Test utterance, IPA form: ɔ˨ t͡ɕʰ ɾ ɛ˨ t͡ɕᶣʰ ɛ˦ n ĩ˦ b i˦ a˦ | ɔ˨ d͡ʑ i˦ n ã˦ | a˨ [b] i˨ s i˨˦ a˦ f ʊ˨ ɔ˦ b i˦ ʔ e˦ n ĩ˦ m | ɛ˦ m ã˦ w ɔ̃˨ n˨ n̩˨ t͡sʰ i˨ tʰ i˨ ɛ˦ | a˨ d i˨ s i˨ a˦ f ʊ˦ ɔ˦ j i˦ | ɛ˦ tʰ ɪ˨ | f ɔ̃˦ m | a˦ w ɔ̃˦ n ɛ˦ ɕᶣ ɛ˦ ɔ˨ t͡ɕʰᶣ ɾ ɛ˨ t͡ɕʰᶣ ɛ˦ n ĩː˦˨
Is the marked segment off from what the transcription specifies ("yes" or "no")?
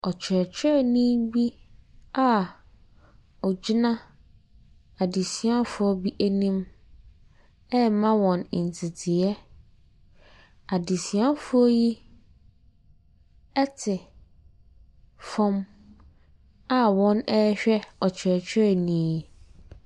yes